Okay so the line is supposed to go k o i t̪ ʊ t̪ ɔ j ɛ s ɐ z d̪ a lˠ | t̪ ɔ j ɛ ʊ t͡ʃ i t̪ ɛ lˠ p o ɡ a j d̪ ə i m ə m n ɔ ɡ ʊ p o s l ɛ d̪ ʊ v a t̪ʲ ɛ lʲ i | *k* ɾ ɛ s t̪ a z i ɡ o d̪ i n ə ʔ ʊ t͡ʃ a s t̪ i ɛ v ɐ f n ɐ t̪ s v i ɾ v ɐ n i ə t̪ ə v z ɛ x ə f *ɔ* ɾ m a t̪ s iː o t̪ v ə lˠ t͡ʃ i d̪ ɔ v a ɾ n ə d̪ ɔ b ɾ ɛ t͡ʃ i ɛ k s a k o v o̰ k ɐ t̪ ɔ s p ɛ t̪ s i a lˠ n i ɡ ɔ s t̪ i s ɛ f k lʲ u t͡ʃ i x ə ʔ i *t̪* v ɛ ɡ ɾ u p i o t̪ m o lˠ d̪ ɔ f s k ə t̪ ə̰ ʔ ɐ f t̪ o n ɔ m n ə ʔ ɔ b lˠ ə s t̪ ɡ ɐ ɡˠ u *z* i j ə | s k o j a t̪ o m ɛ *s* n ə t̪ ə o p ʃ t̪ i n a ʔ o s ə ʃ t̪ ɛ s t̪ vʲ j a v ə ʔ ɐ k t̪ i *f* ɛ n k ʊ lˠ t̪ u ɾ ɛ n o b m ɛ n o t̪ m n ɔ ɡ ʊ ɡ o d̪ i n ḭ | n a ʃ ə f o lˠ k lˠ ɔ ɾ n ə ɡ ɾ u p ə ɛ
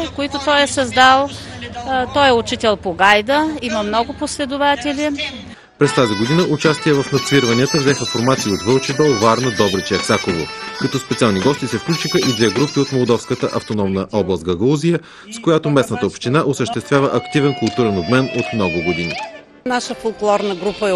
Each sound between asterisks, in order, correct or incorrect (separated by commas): incorrect, incorrect, incorrect, correct, correct, incorrect